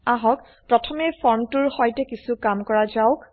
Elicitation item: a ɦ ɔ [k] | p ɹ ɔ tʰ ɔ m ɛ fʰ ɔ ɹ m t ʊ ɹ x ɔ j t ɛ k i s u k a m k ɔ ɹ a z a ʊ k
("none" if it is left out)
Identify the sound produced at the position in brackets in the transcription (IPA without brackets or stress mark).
k